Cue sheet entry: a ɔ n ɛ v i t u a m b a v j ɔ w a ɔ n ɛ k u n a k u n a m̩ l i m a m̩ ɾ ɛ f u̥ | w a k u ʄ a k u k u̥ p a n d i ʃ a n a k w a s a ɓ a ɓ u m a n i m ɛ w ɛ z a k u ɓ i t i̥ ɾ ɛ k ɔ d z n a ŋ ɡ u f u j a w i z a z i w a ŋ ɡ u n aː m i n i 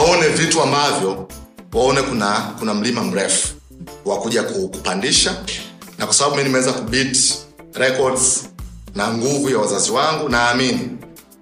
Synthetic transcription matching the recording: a ɔ n ɛ v i t u a m b a v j ɔ w a ɔ n ɛ k u n a k u n a m̩ l i m a m̩ ɾ ɛ f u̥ | w a k u ʄ a k u k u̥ p a n d i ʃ a n a k w a s a ɓ a ɓ u m i n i m ɛ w ɛ z a k u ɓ i t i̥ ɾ ɛ k ɔ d z n a ŋ ɡ u v u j a w a z a z i w a ŋ ɡ u n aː m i n i